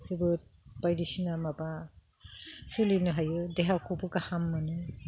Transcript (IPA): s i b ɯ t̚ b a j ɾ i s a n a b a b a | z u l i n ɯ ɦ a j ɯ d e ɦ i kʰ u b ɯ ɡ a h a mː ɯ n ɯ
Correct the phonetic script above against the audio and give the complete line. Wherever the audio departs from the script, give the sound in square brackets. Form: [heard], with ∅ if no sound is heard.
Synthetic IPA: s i b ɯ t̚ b a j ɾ i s [i] n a [m] a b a | [s] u l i n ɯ ɦ a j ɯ d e ɦ [a] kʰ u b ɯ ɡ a h a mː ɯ n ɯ